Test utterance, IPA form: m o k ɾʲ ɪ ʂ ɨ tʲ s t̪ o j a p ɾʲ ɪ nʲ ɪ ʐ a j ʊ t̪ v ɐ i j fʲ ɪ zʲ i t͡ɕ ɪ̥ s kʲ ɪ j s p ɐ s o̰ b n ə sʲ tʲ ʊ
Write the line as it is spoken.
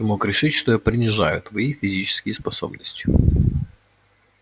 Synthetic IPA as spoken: m o k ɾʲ ɪ ʂ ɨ tʲ ʂ t̪ o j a p ɾʲ ɪ nʲ ɪ ʐ a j ʊ t̪ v ɐ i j fʲ ɪ zʲ i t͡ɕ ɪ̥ s kʲ ɪ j s p ɐ s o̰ b n ə sʲ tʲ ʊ